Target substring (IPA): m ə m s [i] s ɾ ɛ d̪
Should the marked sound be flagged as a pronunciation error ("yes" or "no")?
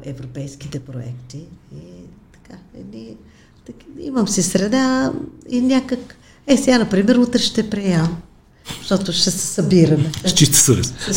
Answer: no